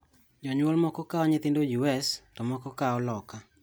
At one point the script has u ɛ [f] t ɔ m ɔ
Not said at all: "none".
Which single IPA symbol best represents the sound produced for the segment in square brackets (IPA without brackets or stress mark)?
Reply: s